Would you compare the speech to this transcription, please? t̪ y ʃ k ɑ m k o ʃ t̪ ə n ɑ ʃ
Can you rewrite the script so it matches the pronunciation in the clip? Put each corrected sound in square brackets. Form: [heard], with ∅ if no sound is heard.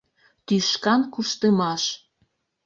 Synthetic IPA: t̪ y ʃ k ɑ [n] k [u] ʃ t̪ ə [m] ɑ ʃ